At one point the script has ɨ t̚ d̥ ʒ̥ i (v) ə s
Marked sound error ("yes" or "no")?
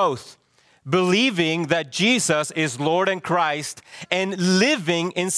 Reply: yes